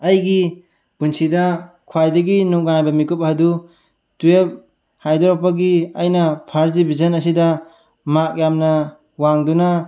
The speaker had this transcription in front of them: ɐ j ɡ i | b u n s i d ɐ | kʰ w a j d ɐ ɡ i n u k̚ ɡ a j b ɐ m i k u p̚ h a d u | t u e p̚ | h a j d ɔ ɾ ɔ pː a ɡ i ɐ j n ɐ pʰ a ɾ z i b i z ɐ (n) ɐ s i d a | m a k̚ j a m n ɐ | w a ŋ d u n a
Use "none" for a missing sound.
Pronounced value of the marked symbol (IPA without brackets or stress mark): n